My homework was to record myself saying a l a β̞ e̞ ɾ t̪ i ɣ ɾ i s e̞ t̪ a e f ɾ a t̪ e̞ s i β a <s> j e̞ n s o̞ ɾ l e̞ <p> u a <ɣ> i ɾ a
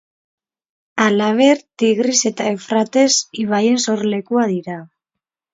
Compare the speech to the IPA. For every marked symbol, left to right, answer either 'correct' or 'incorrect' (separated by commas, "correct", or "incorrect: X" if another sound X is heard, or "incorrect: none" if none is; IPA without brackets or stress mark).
incorrect: none, incorrect: k, incorrect: ð